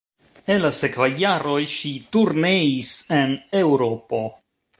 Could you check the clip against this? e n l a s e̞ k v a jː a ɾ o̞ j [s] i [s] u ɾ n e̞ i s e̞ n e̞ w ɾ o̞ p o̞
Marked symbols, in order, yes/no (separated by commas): no, no